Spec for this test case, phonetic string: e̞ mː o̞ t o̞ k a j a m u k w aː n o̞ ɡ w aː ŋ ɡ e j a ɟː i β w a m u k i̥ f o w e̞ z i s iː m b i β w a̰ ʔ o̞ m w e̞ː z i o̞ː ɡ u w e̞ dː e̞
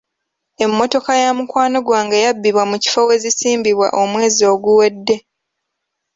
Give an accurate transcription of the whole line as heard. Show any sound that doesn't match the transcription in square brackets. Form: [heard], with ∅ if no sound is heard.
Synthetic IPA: e̞ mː o̞ t o̞ k a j a m u k w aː n o̞ ɡ w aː ŋ ɡ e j a [bː] i β w a m u [c] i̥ f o w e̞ z i s iː m b i β w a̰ ʔ o̞ m w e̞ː z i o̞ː ɡ u w e̞ dː e̞